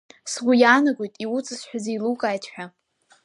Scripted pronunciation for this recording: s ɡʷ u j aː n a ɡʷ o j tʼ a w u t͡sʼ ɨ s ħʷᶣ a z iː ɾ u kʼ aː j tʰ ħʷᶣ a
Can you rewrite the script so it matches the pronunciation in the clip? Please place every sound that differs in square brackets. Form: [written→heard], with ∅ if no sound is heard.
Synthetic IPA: s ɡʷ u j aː n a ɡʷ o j tʼ [a→i] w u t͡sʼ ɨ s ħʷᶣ a z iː [ɾ→l] u kʼ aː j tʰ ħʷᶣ a